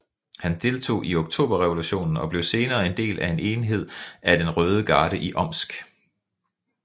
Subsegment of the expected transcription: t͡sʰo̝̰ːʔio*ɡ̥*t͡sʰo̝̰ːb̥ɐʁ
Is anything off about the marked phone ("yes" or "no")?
no